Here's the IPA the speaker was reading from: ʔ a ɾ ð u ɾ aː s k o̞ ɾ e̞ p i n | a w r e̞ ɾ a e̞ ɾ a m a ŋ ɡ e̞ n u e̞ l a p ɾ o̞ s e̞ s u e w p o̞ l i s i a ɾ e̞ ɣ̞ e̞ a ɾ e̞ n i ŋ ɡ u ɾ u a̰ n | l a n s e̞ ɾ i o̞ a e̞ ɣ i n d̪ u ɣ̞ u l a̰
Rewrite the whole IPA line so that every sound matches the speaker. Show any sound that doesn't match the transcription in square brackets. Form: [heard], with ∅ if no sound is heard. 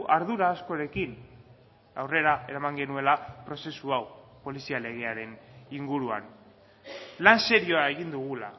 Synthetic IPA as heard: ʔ a ɾ ð u ɾ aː s k o̞ ɾ e̞ [k] i n | a w r e̞ ɾ a e̞ ɾ a m a ŋ ɡ e̞ n u e̞ l a p ɾ o̞ s e̞ s u [a] w p o̞ l i s i a [l] e̞ ɣ̞ e̞ a ɾ e̞ n i ŋ ɡ u ɾ u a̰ n | l a n s e̞ ɾ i o̞ a e̞ ɣ i n d̪ u ɣ̞ u l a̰